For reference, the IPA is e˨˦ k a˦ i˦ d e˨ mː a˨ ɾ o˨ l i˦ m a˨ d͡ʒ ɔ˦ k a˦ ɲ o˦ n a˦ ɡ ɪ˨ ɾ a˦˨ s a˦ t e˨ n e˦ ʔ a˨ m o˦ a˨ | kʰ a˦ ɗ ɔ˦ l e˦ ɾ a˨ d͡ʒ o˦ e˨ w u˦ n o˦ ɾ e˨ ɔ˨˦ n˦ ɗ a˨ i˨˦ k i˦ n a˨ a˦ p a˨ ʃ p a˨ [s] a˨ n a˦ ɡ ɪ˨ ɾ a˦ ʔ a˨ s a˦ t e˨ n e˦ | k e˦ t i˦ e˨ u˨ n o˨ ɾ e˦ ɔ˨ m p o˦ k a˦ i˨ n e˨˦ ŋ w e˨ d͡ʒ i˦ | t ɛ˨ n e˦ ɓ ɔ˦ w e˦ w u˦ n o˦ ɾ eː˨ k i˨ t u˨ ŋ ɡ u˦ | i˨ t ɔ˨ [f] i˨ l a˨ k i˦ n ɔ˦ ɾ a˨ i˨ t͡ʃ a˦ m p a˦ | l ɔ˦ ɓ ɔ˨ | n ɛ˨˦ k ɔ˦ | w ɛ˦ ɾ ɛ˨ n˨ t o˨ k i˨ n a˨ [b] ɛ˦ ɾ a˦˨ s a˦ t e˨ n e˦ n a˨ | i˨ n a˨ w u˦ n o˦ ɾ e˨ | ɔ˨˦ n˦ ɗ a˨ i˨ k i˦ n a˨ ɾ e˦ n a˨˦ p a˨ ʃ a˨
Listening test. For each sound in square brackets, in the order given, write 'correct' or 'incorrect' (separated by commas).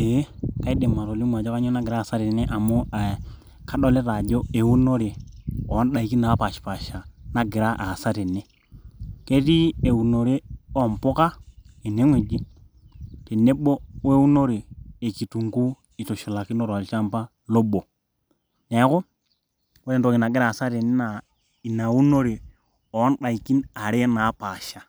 incorrect, incorrect, incorrect